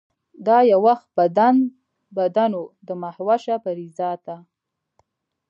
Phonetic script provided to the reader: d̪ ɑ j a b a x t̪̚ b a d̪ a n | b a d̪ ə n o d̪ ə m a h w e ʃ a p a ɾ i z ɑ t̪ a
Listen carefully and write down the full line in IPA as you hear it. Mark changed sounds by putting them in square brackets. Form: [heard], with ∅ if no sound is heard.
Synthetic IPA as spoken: d̪ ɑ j a [w] a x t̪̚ b a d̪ a n | b a d̪ [a] n o d̪ ə m a h w [a] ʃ a p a ɾ i z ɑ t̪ a